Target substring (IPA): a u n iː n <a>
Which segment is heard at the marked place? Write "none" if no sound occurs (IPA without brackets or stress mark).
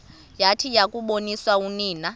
a